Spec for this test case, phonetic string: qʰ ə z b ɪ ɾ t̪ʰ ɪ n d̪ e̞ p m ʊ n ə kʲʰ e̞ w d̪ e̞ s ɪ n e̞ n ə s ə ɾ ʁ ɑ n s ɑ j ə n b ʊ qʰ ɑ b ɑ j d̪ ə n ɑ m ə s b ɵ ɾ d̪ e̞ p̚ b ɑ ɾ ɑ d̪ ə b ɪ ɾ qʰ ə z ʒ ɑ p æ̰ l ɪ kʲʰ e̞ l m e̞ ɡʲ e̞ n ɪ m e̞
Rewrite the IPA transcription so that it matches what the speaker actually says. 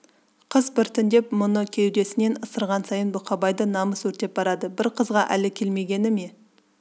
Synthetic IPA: qʰ ə z b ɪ ɾ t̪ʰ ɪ n d̪ e̞ p m ʊ n ə kʲʰ e̞ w d̪ e̞ s ɪ n e̞ n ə s ə ɾ ʁ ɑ n s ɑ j ə n b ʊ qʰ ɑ b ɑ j d̪ ə n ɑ m ə s w ɵ ɾ t̪ e̞ p̚ b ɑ ɾ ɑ d̪ ə b ɪ ɾ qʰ ə z ʁ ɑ ʔ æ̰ l ɪ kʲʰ e̞ l m e̞ ɡʲ e̞ n ɪ m e̞